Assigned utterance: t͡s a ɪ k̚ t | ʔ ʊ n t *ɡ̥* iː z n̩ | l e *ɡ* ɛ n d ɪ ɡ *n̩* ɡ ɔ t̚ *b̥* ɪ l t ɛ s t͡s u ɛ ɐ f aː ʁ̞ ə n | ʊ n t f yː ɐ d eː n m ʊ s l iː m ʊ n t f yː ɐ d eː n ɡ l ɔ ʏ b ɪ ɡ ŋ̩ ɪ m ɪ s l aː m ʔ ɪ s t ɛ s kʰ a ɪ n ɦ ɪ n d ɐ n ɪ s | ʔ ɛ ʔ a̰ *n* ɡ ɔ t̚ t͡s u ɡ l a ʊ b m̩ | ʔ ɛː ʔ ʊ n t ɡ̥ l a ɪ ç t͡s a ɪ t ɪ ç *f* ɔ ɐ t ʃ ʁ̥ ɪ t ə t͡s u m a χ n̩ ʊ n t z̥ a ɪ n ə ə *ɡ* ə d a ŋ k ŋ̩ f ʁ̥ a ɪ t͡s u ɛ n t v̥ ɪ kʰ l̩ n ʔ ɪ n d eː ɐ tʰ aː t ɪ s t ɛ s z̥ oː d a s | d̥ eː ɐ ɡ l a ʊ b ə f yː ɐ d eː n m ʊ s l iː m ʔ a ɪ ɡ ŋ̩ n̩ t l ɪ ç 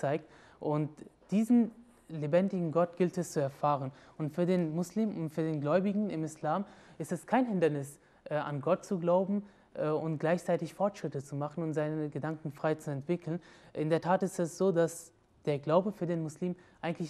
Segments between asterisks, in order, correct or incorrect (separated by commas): incorrect, incorrect, incorrect, incorrect, correct, correct, correct